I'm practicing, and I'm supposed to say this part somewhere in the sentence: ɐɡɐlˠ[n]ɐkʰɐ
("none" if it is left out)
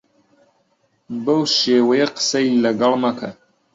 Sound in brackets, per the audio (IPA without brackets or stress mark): m